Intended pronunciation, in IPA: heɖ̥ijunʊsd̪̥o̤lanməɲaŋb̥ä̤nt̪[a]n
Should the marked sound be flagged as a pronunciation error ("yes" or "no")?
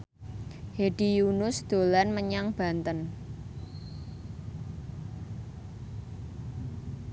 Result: yes